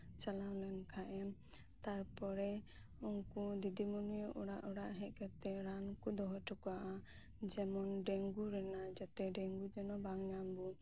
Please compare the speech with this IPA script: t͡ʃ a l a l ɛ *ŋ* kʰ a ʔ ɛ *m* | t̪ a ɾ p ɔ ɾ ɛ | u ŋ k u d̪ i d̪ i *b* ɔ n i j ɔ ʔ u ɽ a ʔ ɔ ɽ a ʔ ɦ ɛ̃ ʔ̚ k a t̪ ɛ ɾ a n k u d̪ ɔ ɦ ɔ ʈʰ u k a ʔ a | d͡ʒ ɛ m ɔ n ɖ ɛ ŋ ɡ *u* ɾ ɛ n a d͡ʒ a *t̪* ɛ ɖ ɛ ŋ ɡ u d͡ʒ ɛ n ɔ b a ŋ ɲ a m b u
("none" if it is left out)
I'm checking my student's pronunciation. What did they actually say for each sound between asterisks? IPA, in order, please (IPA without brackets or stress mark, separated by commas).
n, m, m, u, t̪